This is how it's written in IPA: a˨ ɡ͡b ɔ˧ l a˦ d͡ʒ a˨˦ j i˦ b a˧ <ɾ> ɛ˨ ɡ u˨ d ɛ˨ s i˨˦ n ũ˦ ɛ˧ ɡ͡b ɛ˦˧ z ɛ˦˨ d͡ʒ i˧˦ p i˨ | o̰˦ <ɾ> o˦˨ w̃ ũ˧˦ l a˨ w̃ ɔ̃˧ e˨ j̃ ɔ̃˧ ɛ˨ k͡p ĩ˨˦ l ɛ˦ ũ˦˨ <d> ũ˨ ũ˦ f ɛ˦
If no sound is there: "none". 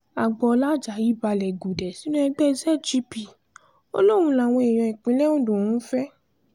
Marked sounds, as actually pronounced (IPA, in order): l, l, d

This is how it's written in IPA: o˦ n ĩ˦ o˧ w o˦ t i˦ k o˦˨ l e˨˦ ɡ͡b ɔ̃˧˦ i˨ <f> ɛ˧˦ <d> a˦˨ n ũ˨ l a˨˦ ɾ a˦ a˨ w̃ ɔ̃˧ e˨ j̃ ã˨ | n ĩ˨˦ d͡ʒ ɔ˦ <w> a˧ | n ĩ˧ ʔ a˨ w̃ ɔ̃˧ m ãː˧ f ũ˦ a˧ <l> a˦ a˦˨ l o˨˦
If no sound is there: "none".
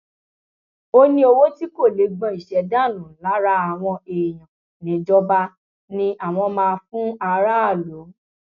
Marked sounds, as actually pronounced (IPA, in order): ʃ, d, b, ɾ

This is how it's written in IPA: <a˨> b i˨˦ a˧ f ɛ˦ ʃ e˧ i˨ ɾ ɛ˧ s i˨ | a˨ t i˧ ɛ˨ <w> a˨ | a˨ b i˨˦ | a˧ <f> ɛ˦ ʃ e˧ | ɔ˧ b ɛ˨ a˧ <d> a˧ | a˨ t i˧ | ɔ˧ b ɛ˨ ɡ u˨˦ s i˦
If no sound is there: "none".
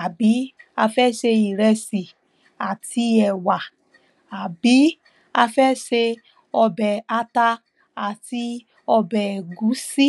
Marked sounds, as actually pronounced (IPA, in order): a˨, w, f, t

